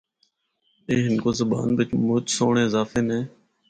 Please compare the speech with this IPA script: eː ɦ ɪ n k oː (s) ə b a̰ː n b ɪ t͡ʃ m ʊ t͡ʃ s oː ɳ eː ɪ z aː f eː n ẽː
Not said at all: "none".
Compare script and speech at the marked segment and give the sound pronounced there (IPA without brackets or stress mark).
z